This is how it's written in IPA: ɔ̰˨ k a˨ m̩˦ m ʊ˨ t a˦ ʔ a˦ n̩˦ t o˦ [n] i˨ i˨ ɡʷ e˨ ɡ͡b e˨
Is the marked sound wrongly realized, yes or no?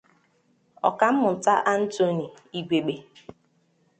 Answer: no